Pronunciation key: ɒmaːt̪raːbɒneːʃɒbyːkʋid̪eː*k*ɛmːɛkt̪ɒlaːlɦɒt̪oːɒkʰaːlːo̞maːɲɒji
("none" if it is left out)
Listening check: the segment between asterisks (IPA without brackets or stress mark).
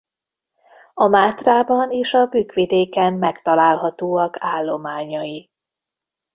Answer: k